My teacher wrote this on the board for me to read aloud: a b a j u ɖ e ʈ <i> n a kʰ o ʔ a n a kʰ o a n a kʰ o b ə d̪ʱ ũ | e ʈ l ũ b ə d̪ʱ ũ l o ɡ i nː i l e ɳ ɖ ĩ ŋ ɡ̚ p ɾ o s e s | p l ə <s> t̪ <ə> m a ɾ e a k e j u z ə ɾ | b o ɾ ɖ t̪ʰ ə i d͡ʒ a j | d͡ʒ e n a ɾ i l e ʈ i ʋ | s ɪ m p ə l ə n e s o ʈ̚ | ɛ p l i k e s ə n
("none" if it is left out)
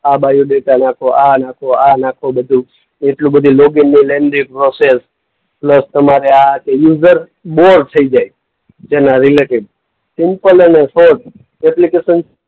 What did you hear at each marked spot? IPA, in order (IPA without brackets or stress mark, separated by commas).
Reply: a, s, ə